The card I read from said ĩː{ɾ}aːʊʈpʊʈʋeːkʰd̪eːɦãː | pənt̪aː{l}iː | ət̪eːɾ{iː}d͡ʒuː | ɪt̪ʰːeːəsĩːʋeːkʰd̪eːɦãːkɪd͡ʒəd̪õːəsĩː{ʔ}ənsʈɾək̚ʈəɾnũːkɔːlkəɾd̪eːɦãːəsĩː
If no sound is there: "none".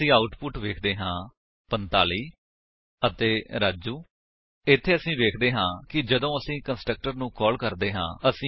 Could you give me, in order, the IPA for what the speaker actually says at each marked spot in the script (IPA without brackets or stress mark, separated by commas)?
none, l, aː, k